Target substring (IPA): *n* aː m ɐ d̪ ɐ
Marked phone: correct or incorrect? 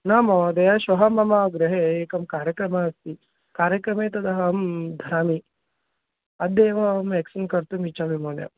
correct